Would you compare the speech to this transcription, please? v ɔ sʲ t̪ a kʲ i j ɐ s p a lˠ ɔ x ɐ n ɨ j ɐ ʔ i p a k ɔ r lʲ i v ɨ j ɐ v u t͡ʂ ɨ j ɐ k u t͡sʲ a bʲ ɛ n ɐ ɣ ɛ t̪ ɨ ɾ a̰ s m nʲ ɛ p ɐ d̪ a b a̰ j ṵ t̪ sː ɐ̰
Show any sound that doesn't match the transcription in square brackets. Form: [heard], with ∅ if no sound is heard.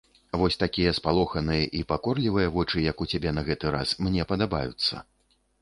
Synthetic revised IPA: v ɔ sʲ t̪ a kʲ i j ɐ s p a lˠ ɔ x ɐ n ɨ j ɐ ʔ i p a k ɔ r lʲ i v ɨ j ɐ v [ɔ] t͡ʂ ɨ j ɐ k u t͡sʲ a bʲ ɛ n ɐ ɣ ɛ t̪ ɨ ɾ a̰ s m nʲ ɛ p ɐ d̪ a b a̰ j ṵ t̪ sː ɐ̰

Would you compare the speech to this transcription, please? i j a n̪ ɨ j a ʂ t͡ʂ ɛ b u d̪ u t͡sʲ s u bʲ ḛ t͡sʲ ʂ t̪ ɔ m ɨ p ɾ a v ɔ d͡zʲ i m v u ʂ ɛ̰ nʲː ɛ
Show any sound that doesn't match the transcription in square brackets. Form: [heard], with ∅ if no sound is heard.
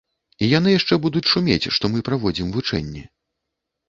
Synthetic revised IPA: i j a n̪ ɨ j a ʂ t͡ʂ ɛ b u d̪ u t͡sʲ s u [mʲ] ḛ t͡sʲ ʂ t̪ ɔ m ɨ p ɾ a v ɔ d͡zʲ i m v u [t͡ʂ] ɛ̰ nʲː ɛ

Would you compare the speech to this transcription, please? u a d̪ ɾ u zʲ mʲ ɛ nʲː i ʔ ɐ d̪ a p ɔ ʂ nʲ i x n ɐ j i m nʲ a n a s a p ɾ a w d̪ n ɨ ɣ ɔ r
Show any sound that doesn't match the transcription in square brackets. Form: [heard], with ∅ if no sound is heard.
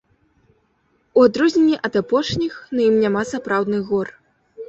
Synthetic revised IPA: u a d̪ ɾ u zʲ [nʲ] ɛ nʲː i ʔ ɐ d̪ a p ɔ ʂ nʲ i x n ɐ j i m nʲ a [m] a s a p ɾ a w d̪ n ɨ ɣ ɔ r

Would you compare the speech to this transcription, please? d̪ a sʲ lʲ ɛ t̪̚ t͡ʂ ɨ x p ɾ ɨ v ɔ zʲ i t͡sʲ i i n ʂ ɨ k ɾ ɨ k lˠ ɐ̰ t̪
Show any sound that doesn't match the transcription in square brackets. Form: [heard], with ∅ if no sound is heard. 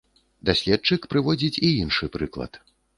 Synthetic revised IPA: d̪ a sʲ lʲ ɛ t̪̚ t͡ʂ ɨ [k] p ɾ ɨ v ɔ [d͡zʲ] i t͡sʲ i i n ʂ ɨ [p] ɾ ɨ k lˠ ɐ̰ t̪

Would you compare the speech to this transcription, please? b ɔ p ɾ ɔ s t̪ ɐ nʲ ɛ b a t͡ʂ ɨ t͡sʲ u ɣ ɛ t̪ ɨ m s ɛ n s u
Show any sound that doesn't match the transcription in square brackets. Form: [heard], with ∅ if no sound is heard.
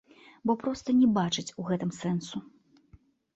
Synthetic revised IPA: b ɔ p ɾ ɔ s t̪ ɐ nʲ ɛ b a t͡ʂ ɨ t͡sʲ u ɣ ɛ t̪ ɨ m s ɛ n s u

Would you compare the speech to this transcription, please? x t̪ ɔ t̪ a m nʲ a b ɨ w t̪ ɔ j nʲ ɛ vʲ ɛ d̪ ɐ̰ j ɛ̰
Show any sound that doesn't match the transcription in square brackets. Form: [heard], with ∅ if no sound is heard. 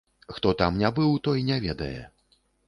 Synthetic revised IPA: x t̪ ɔ t̪ a m nʲ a b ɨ w t̪ ɔ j nʲ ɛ vʲ ɛ d̪ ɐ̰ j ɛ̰

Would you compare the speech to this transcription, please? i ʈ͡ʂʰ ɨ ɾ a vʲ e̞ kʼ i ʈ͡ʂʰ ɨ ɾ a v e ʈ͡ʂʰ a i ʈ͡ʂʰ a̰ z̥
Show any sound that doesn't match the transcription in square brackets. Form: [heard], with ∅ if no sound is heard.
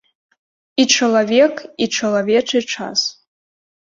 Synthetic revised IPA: i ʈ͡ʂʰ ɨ [l] a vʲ e̞ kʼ i ʈ͡ʂʰ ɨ [l] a v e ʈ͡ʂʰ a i ʈ͡ʂʰ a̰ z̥

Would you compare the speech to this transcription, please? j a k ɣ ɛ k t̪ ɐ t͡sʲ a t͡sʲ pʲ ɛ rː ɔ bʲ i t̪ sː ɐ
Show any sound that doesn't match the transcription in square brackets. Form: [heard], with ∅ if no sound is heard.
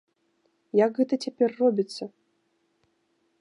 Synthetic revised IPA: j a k ɣ ɛ [∅] t̪ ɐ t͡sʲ a [∅] pʲ ɛ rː ɔ bʲ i t̪ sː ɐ

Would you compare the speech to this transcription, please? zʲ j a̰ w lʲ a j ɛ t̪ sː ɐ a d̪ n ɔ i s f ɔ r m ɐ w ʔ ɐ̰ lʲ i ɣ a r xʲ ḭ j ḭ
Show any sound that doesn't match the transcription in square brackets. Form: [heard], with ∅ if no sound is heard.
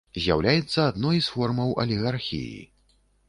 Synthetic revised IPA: zʲ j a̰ w lʲ a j ɛ t̪ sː ɐ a d̪ n ɔ [j] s f ɔ r m ɐ w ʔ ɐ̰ lʲ i ɣ a r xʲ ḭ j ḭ

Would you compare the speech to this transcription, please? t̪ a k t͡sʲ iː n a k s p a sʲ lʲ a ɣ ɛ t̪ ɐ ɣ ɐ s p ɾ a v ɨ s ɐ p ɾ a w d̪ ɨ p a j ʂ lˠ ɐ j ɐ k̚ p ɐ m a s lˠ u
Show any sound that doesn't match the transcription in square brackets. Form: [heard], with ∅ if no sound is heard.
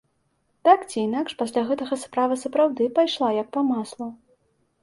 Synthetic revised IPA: t̪ a k t͡sʲ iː n a k [ʂ] p a sʲ lʲ a ɣ ɛ t̪ ɐ ɣ ɐ s p ɾ a v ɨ s ɐ p ɾ a w d̪ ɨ p a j ʂ lˠ [a] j ɐ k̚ p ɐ m a s lˠ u

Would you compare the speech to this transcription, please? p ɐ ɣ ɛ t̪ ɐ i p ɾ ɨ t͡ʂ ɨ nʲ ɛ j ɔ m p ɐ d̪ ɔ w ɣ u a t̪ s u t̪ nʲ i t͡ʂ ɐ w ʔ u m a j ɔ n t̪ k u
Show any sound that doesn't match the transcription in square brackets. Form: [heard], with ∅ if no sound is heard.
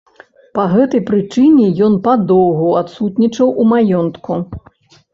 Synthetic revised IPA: p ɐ ɣ ɛ t̪ ɐ [j] p ɾ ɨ t͡ʂ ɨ nʲ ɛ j ɔ [n] p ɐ d̪ ɔ w ɣ u a t̪ s u t̪ nʲ i t͡ʂ ɐ w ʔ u m a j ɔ n t̪ k u

